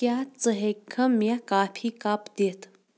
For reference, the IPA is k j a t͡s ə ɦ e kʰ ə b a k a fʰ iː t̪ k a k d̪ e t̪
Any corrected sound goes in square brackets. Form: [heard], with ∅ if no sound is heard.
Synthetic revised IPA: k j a t͡s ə ɦ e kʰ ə [m] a k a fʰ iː [∅] k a [p] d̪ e t̪